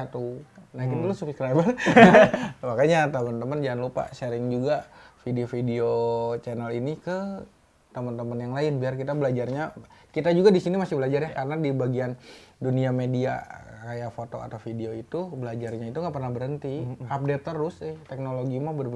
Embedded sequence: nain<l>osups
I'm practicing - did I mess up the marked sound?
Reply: no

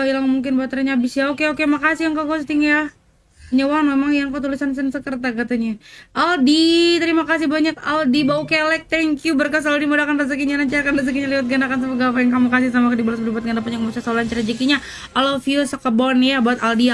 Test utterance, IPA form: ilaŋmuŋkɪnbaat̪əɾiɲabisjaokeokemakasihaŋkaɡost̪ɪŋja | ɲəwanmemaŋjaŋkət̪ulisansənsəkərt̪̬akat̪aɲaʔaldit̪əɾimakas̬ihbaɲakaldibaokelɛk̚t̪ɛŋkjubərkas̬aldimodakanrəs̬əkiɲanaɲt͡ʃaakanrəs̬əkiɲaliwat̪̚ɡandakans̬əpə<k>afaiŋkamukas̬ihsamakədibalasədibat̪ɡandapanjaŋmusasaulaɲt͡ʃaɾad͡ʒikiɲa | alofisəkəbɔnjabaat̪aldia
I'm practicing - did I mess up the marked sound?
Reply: yes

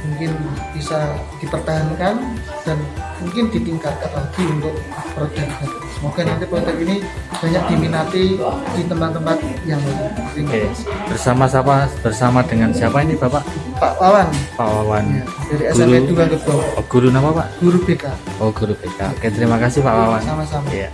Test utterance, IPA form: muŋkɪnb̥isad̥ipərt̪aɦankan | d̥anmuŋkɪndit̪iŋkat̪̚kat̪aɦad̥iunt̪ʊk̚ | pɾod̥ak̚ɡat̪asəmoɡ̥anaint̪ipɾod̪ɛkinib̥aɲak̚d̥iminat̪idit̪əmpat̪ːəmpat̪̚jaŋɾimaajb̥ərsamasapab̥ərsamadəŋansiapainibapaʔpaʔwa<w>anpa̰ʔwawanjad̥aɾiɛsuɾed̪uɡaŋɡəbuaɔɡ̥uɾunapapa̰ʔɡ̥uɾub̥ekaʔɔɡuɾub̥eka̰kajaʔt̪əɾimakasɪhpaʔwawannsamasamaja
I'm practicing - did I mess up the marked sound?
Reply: no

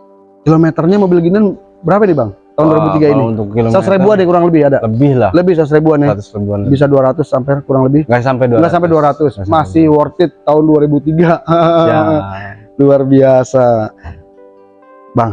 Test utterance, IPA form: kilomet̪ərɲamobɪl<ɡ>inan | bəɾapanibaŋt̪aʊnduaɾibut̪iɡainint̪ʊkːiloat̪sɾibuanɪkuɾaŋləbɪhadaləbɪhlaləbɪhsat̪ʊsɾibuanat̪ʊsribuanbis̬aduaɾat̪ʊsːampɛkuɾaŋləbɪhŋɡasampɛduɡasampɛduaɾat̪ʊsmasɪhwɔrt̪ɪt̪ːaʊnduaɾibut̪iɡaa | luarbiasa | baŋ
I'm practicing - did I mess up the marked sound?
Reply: no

